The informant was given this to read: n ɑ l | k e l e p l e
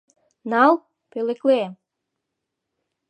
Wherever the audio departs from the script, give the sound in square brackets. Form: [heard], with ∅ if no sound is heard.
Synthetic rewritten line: n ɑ l | [p] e l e [k] l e